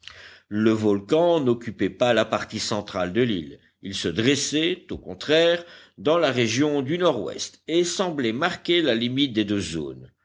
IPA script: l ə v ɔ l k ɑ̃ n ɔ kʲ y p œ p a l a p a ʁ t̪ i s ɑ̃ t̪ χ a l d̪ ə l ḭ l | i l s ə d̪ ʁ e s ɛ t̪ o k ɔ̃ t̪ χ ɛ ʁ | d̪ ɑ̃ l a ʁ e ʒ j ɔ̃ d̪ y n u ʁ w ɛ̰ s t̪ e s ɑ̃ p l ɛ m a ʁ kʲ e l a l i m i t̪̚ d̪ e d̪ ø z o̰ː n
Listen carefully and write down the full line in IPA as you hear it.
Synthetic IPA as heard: l ə v ɔ l k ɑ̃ n ɔ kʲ y p ɛ p a l a p a ʁ t̪ i s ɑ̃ t̪ χ a l d̪ ə l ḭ l | i l s ə d̪ ʁ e s ɛ t̪ o k ɔ̃ t̪ χ ɛ ʁ | d̪ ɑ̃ l a ʁ e ʒ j ɔ̃ d̪ y n ɔ ʁ w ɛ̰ s t̪ e s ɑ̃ b l ɛ m a ʁ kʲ e l a l i m i t̪̚ d̪ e d̪ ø z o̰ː n